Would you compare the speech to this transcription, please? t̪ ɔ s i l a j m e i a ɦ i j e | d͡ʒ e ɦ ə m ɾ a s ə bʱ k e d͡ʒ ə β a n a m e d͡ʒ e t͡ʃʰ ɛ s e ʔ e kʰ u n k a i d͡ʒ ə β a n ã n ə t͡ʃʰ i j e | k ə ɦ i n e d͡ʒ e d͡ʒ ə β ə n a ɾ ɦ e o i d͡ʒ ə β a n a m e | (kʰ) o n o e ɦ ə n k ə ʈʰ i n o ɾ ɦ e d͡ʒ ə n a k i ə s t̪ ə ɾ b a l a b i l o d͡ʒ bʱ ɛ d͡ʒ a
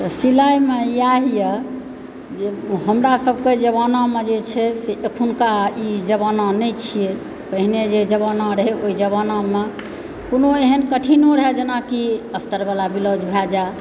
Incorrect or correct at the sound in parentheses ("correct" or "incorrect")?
incorrect